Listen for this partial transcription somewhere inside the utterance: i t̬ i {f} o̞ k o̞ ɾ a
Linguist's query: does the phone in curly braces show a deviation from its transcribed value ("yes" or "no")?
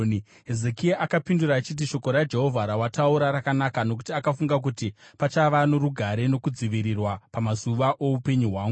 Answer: yes